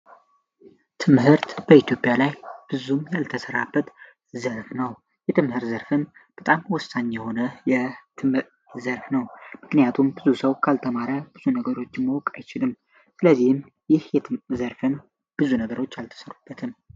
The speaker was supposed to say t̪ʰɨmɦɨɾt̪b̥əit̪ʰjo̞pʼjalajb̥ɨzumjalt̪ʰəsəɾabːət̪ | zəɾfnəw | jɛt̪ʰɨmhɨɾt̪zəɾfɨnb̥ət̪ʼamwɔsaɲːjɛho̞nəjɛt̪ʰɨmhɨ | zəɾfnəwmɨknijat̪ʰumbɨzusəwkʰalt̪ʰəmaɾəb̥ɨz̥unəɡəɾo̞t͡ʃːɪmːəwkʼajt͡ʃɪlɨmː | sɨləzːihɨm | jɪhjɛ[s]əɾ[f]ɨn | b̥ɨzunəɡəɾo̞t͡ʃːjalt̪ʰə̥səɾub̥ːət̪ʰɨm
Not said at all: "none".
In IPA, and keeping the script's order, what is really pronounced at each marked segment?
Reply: z, f

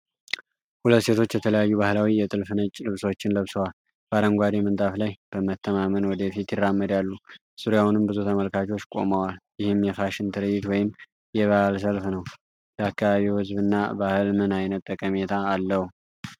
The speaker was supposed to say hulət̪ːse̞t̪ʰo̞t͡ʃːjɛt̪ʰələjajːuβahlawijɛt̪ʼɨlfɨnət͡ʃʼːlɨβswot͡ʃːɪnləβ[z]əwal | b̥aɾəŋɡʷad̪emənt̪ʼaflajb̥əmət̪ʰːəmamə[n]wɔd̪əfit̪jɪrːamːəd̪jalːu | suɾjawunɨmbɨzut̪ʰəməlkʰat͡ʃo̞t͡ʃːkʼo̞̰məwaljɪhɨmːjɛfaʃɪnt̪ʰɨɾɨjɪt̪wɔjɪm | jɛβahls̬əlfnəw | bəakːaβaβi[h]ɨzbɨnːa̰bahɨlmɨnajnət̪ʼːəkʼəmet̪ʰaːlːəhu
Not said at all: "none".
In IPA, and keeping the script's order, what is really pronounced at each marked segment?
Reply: s, n, h

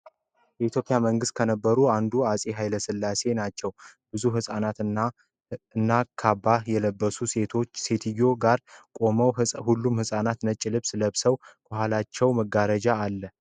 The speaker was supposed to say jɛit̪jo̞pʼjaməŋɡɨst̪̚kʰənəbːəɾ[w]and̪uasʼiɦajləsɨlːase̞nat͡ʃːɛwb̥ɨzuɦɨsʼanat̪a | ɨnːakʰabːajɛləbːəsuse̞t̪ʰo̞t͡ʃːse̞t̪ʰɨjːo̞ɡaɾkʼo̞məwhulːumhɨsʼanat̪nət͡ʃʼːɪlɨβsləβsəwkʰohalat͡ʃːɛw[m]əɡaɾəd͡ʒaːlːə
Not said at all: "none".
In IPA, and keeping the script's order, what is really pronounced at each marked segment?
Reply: u, m

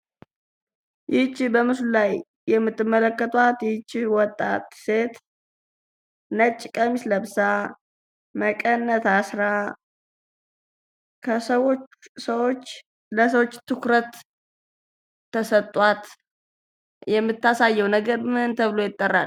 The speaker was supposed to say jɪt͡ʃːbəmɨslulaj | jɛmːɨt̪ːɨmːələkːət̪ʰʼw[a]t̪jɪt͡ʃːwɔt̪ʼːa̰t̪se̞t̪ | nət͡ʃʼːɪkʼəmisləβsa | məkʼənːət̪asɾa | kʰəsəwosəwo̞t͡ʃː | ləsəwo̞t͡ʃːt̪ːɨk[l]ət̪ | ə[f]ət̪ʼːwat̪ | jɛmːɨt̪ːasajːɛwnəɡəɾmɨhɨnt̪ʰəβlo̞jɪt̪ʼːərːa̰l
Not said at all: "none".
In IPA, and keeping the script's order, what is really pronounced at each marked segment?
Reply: a, ɾ, s

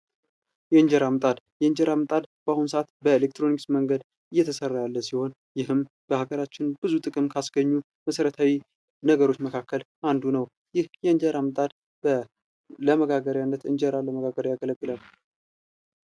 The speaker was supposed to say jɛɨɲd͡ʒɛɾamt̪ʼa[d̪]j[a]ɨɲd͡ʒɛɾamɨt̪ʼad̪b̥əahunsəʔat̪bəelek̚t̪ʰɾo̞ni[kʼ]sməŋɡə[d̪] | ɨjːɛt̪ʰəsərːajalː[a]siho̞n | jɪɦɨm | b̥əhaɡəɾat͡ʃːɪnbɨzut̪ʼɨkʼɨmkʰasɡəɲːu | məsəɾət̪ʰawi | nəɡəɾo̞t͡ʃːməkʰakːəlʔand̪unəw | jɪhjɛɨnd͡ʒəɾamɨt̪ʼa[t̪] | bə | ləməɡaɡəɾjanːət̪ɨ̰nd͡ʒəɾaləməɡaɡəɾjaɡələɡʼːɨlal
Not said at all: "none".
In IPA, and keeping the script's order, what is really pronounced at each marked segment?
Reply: d̪, ɛ, k, d̪, ə, d̪

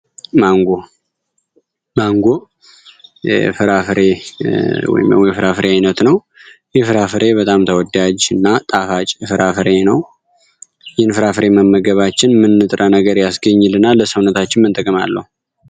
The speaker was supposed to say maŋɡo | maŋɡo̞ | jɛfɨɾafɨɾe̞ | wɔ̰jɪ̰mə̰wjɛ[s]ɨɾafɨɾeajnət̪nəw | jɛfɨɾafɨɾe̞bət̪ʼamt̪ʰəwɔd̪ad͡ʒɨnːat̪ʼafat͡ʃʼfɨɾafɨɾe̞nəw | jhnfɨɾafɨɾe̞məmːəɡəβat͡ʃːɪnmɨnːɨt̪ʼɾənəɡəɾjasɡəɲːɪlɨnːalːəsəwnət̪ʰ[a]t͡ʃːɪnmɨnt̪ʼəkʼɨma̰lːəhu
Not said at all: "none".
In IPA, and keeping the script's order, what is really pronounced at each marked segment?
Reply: f, a

